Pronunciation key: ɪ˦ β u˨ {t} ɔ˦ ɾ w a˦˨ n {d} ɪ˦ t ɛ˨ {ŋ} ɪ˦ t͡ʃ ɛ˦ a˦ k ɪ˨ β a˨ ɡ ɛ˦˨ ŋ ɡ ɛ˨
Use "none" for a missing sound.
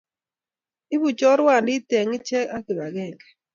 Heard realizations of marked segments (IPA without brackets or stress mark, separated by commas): t͡ʃ, d, ŋ